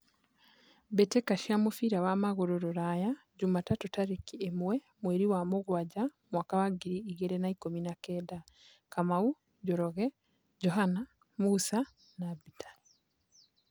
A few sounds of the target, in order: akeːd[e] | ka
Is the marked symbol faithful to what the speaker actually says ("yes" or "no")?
no